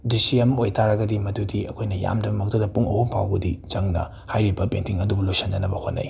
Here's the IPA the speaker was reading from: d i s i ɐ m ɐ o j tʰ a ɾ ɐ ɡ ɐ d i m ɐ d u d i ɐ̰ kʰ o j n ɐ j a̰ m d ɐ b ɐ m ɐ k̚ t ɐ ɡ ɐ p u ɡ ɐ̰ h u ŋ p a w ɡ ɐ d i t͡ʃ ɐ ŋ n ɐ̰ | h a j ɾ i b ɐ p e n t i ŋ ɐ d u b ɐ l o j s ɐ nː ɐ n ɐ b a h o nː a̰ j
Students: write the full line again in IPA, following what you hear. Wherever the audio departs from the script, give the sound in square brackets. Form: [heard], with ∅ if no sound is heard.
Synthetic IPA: d i s i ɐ m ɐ o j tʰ a ɾ ɐ ɡ ɐ d i m ɐ d u d i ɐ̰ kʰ o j n ɐ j a̰ m d ɐ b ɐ m ɐ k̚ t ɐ [d] ɐ p u [ŋ] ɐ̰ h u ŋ p a w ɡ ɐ d i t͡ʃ ɐ ŋ n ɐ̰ | h a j ɾ i b ɐ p e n t i ŋ ɐ d u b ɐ l o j s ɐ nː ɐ n ɐ b [ɐ] h o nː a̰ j